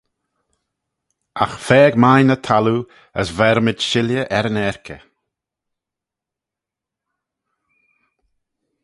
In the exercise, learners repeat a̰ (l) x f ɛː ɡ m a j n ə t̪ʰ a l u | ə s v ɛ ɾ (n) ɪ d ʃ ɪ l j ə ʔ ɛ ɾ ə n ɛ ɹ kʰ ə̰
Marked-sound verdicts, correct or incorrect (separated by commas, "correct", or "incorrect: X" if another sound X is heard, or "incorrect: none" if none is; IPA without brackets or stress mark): incorrect: none, incorrect: m